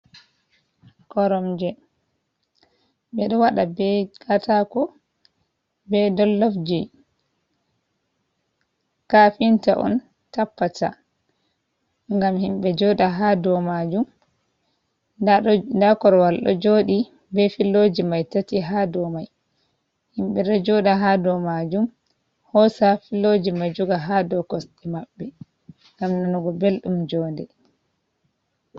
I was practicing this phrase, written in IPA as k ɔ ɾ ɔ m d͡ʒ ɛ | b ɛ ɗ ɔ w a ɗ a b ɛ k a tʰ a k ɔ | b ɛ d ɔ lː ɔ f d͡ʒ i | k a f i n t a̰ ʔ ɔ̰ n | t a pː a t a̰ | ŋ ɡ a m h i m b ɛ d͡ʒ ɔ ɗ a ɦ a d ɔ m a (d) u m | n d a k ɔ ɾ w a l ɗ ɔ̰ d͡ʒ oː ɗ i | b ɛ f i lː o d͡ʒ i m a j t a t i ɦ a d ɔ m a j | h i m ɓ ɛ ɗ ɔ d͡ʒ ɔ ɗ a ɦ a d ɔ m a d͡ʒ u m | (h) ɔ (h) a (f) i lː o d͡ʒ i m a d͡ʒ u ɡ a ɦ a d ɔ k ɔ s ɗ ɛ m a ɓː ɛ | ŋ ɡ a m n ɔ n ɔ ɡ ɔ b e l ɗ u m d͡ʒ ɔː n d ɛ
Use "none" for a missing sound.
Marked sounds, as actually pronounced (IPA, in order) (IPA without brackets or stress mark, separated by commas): d͡ʒ, h, s, f